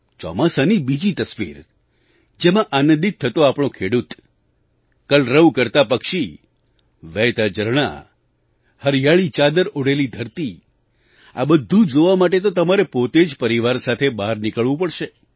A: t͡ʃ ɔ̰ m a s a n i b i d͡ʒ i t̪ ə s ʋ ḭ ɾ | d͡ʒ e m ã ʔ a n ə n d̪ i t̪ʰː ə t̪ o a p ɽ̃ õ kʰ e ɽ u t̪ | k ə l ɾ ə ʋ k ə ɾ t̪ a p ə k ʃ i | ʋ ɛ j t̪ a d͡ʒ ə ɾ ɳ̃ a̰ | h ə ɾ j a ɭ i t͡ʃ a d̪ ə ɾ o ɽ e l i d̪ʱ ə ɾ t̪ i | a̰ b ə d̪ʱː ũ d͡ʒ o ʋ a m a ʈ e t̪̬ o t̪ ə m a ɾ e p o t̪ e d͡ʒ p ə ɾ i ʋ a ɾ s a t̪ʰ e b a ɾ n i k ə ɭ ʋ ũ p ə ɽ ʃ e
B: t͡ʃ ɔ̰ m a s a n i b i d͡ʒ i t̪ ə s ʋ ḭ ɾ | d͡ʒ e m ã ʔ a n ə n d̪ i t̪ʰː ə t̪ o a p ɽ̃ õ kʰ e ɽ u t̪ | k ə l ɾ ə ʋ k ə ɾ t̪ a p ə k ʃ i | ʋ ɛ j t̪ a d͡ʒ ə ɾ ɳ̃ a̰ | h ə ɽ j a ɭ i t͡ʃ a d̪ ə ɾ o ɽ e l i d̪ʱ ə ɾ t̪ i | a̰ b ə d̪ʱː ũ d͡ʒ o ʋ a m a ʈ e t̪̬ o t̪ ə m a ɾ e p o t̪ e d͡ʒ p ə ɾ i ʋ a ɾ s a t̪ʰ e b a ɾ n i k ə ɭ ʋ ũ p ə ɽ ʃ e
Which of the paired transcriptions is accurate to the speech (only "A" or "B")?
A